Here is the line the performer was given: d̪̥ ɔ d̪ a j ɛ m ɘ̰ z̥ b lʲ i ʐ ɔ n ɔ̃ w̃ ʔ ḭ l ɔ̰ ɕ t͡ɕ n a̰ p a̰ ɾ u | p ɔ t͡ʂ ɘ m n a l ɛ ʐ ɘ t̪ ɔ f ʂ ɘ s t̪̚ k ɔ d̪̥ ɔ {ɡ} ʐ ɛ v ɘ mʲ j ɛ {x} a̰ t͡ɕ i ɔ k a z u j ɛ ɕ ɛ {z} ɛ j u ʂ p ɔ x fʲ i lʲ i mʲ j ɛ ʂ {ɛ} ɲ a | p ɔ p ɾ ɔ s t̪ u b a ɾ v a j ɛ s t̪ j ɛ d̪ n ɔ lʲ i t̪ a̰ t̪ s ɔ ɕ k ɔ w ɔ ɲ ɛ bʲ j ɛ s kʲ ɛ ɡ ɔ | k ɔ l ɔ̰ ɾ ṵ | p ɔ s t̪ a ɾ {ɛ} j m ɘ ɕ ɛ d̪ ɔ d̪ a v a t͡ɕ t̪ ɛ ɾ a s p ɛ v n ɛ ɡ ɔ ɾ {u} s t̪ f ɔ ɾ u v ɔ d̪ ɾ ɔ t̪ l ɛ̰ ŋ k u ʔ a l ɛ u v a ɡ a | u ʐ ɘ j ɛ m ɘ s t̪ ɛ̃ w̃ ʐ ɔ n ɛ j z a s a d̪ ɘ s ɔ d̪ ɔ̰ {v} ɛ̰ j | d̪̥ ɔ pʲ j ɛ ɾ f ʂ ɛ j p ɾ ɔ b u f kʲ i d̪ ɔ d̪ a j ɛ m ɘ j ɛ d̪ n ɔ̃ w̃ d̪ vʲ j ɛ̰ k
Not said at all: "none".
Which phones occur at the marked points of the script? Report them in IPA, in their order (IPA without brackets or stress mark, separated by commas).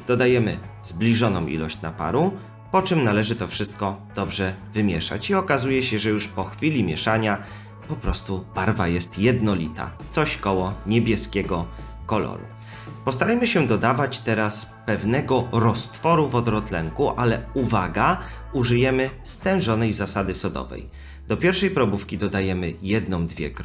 b, ʂ, ʐ, a, a, ɔ, v